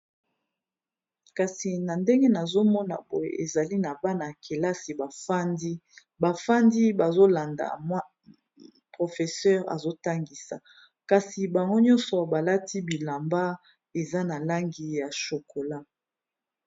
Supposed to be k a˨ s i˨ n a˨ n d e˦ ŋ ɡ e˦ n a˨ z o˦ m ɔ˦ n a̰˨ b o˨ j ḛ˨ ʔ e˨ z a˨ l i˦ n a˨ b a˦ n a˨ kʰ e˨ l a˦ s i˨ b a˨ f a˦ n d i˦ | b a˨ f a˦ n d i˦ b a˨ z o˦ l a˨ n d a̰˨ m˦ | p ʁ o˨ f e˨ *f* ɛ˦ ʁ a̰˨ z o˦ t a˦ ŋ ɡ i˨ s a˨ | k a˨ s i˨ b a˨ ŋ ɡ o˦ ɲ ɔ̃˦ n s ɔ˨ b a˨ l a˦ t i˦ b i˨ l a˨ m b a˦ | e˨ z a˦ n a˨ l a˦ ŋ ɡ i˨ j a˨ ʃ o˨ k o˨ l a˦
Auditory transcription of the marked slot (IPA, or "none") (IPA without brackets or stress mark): s